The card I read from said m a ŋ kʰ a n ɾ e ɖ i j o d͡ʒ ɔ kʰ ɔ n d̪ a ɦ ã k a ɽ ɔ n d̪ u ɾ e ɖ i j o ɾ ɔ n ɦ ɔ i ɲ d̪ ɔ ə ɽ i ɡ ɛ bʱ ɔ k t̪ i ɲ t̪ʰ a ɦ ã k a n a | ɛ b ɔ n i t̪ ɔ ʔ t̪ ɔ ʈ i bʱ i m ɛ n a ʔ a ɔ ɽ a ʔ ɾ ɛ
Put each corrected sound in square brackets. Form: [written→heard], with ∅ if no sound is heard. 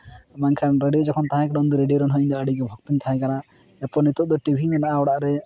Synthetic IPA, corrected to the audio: m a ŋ kʰ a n ɾ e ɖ i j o d͡ʒ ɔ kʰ ɔ n [d̪→t̪] a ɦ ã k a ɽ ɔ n d̪ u ɾ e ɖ i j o ɾ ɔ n ɦ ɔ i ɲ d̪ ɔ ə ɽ i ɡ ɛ bʱ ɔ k t̪ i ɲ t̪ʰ a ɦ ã k a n a | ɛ [b→p] ɔ n i t̪ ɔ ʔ [t̪→d̪] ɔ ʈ i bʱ i m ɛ n a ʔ a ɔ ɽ a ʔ ɾ ɛ